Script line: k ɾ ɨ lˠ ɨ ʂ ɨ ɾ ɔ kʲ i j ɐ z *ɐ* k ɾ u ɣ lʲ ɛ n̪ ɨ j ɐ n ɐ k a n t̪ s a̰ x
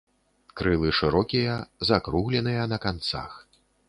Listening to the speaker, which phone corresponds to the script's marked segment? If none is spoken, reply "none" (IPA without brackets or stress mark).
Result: a